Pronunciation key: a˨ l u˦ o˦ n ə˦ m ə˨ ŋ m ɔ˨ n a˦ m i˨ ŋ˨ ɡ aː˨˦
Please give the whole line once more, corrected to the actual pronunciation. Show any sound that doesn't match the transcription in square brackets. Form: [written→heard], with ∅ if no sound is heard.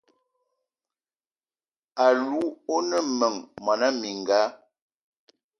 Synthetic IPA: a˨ l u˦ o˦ n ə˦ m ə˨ ŋ m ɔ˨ n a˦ m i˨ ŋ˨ ɡ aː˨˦